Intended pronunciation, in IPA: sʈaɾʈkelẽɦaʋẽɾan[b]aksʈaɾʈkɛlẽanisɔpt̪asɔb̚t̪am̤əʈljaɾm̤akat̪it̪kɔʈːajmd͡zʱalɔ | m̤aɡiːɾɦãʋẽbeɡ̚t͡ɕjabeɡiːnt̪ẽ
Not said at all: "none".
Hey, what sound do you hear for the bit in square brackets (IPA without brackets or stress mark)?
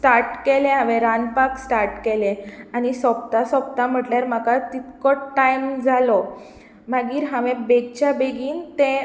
p